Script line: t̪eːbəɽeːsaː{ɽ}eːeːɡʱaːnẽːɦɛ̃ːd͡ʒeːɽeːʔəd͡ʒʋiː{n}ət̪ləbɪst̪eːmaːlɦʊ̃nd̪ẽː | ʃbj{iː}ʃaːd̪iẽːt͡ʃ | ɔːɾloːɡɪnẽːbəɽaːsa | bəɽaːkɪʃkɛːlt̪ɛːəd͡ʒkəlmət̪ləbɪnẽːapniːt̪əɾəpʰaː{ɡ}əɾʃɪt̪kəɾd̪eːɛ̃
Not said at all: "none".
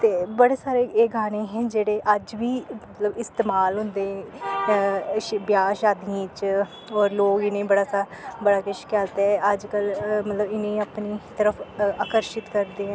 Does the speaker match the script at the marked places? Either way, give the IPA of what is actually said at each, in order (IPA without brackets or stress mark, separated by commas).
ɾ, m, aː, k